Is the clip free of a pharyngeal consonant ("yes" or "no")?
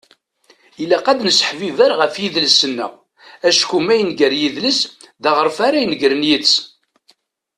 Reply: no